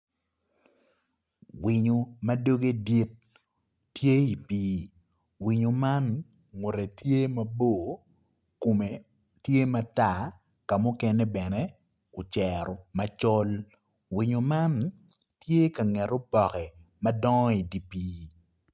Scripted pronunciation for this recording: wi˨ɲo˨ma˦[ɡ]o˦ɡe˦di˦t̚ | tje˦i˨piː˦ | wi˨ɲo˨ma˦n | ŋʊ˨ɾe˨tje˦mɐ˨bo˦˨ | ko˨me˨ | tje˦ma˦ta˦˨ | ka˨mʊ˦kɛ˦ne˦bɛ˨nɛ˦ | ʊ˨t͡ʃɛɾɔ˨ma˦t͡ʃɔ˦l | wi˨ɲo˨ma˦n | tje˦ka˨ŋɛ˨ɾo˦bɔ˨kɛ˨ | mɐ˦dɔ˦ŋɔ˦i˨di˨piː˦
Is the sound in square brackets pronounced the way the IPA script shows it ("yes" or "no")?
no